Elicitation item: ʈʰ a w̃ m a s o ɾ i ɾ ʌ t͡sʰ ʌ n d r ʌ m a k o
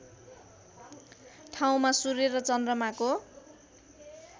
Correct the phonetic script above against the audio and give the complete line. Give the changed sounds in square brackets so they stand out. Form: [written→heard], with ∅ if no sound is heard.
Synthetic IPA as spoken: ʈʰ a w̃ m a s [o→u] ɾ [i→e] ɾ ʌ [t͡sʰ→t͡s] ʌ n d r ʌ m a k o